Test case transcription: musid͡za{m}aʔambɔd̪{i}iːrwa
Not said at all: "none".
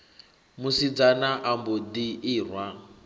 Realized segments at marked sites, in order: n, i

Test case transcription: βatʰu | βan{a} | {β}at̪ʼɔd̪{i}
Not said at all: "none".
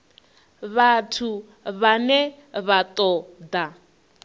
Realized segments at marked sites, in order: ɛ, β, a

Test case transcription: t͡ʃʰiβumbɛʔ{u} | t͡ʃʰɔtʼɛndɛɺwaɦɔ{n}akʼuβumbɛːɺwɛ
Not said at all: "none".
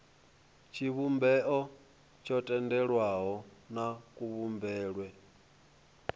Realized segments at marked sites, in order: ɔ, n

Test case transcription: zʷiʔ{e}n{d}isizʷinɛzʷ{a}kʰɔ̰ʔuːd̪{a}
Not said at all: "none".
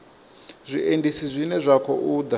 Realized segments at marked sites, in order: e, d, a, a

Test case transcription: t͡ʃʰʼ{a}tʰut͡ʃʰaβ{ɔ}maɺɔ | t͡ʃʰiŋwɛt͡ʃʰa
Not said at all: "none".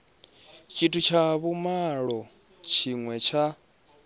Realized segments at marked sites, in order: i, u

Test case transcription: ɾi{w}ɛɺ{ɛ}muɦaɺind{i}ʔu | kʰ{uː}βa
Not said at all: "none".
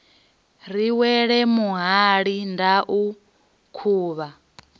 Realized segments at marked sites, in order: w, ɛ, a, uː

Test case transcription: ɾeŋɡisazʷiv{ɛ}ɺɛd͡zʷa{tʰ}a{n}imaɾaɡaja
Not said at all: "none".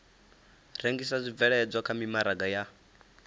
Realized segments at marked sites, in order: ɛ, kʰ, m

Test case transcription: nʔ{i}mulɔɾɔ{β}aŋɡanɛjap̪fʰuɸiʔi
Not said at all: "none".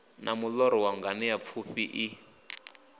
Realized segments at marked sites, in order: a, w

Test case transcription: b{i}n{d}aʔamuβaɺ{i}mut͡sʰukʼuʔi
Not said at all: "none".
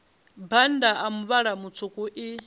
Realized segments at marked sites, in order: a, d, a

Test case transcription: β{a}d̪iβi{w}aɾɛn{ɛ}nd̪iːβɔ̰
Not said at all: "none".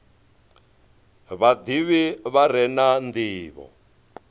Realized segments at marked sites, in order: a, β, a

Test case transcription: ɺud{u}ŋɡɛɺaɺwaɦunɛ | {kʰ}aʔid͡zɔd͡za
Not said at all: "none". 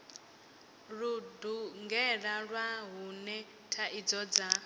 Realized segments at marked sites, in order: u, tʰ

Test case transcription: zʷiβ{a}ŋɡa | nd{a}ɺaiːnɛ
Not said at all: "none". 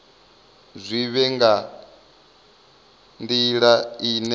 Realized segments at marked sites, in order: ɛ, i

